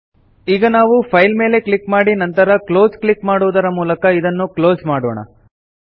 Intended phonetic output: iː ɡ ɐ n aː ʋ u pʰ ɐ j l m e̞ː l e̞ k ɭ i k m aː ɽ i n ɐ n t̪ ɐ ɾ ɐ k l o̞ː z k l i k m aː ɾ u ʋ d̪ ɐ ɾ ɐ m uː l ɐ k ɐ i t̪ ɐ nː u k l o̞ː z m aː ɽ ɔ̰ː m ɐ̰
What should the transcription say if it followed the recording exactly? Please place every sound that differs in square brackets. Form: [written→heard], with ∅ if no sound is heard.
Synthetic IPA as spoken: iː ɡ ɐ n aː ʋ u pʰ ɐ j l m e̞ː l e̞ k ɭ i k m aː ɽ i n ɐ n t̪ ɐ ɾ ɐ k l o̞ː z k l i k m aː [ɾ→ɽ] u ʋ d̪ ɐ ɾ ɐ m uː l ɐ k ɐ i [t̪→d̪] ɐ nː u k l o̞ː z m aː ɽ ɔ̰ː [m→ɳ] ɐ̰